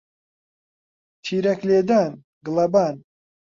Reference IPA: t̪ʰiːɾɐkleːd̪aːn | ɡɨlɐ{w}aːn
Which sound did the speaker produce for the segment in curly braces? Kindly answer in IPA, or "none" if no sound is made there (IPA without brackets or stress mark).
b